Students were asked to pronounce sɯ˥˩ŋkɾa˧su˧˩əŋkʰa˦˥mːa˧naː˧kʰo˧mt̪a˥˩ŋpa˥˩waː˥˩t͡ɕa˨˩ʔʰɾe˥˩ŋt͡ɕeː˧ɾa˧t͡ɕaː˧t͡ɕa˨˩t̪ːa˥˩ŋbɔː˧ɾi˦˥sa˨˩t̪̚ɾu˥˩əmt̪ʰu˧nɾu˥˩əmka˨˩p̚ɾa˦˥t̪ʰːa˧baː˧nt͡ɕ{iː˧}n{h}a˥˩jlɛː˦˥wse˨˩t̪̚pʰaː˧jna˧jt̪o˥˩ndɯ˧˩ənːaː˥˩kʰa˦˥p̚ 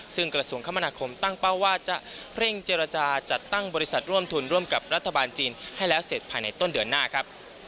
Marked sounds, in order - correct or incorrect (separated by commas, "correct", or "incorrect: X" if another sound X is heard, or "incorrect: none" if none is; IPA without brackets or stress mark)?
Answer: correct, correct